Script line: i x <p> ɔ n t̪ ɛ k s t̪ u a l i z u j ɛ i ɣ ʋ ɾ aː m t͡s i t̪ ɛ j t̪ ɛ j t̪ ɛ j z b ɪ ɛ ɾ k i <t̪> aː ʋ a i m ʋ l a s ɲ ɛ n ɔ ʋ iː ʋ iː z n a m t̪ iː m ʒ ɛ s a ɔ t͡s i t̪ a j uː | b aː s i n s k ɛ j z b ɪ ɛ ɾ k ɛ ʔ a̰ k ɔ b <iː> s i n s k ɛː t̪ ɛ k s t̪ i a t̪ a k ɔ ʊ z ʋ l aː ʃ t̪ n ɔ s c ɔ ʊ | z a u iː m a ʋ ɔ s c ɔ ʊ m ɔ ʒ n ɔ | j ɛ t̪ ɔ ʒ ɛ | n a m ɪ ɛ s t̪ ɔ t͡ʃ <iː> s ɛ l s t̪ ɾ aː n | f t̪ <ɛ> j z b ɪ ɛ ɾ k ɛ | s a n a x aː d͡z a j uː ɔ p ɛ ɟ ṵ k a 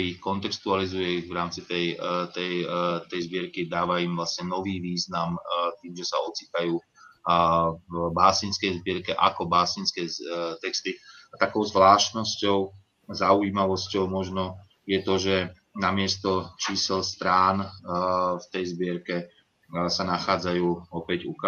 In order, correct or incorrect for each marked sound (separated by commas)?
incorrect, incorrect, incorrect, correct, correct